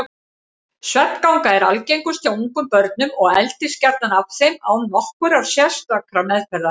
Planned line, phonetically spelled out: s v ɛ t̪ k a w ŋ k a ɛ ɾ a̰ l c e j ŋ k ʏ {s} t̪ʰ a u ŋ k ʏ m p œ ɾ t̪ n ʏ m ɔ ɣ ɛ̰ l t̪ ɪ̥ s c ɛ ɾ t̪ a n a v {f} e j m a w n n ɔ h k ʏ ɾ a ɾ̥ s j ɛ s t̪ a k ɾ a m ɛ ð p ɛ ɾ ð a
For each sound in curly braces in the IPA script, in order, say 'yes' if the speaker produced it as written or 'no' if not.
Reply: yes, no

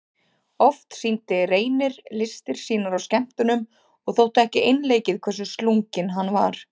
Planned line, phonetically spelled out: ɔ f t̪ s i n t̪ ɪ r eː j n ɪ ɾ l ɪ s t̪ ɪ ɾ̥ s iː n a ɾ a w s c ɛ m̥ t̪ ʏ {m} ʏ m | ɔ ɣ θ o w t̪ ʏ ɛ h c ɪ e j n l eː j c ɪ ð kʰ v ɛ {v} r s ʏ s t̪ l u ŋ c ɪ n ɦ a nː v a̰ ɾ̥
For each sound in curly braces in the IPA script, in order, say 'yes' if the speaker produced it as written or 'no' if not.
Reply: no, no

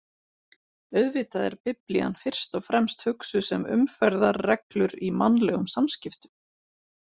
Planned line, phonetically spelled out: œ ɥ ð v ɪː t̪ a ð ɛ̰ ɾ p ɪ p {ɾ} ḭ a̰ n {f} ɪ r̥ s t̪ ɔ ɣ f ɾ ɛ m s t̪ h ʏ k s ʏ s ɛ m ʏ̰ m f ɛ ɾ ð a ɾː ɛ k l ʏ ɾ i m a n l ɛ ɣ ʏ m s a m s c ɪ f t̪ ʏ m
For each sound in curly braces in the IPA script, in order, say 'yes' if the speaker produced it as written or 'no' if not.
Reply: no, yes

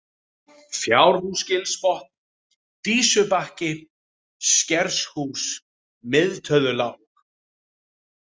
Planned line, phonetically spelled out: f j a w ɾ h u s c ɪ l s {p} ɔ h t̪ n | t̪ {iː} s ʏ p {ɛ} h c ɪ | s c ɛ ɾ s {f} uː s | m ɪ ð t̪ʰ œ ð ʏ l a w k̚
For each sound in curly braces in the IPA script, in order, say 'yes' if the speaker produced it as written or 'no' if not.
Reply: yes, yes, no, no

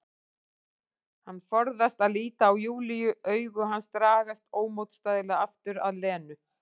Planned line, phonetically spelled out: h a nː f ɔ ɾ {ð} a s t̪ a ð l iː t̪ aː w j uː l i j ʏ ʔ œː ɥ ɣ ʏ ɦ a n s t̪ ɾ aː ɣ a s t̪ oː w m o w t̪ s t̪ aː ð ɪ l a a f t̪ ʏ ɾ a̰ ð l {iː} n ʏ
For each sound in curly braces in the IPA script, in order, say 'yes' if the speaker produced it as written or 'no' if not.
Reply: yes, no

